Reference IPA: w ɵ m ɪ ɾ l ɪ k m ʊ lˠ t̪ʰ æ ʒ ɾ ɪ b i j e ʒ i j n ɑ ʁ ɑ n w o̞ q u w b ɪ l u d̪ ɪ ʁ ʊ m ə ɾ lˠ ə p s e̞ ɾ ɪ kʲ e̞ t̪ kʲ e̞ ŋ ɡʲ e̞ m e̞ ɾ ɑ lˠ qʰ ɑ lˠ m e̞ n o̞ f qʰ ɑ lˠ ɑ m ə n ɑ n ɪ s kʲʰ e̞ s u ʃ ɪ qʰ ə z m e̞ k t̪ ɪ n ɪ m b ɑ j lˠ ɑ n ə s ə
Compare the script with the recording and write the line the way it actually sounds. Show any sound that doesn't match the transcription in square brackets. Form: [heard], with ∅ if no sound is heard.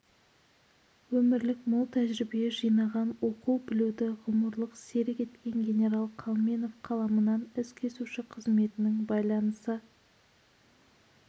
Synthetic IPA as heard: w ɵ m ɪ ɾ l ɪ k m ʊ lˠ t̪ʰ æ ʒ ɾ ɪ b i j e ʒ i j n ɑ ʁ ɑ n w o̞ q u w b ɪ l u d̪ ɪ ʁ ʊ m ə ɾ lˠ ə [q] s e̞ ɾ ɪ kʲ e̞ t̪ kʲ e̞ ŋ ɡʲ e̞ [n] e̞ ɾ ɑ lˠ qʰ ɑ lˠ m e̞ n o̞ f qʰ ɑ lˠ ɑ m ə n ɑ n ɪ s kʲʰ e̞ s u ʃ ɪ qʰ ə z m e̞ [∅] t̪ ɪ n ɪ [ŋ] b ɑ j lˠ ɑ n ə s ə